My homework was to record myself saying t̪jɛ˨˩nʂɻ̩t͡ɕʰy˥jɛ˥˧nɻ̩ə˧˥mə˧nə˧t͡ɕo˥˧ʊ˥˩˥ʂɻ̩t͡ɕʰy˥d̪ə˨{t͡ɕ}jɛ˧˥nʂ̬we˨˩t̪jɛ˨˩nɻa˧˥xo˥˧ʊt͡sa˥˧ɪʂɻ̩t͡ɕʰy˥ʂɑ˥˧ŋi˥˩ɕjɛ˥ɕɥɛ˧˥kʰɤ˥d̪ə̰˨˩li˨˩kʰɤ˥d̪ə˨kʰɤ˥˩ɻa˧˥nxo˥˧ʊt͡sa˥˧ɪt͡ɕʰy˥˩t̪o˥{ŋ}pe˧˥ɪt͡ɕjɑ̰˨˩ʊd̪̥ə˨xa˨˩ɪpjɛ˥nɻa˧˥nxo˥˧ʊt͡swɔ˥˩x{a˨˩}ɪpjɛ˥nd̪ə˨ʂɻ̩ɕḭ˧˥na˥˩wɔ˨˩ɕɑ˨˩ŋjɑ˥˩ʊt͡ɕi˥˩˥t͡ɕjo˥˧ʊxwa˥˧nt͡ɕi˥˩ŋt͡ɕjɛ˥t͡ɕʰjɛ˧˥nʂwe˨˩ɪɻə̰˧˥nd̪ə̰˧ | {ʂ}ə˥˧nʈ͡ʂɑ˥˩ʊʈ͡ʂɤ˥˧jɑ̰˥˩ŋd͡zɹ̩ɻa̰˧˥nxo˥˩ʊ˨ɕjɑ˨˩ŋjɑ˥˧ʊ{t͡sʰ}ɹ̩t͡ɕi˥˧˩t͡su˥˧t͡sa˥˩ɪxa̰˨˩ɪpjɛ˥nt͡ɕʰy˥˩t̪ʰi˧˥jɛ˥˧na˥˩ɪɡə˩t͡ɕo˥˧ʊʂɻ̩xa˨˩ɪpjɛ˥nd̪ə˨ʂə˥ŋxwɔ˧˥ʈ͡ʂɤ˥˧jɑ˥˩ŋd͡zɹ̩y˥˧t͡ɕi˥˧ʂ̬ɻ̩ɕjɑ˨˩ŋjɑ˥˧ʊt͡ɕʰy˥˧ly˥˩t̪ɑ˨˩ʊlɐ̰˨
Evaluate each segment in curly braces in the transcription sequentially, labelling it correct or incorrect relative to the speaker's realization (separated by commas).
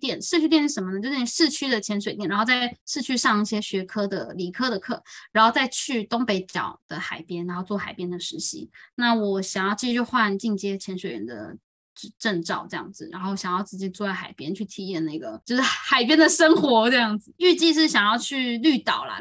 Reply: incorrect, correct, correct, incorrect, incorrect